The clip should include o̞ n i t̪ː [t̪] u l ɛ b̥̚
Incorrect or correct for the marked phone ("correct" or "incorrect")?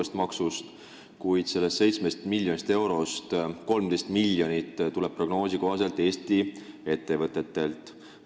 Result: correct